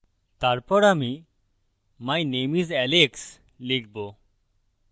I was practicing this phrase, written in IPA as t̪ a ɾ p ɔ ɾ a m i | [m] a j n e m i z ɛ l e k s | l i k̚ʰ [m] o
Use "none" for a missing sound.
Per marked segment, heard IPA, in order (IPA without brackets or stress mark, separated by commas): m, b